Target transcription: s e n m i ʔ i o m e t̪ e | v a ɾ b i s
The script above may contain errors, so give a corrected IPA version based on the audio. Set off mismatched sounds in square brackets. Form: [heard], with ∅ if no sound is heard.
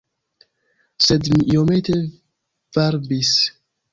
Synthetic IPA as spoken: s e [d] m i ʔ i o m e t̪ e | v a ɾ b i s